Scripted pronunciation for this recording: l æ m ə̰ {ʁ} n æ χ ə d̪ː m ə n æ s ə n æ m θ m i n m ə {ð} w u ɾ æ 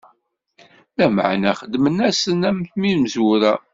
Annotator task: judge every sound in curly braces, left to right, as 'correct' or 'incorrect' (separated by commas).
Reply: incorrect, incorrect